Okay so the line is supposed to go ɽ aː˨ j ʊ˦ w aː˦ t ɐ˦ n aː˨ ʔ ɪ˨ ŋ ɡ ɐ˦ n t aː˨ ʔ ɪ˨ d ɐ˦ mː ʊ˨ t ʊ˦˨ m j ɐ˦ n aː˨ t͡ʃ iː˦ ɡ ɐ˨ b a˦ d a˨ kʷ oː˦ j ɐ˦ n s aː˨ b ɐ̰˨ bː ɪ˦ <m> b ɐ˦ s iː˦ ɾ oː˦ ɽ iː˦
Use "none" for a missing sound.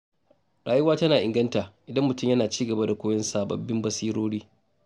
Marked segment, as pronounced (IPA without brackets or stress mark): m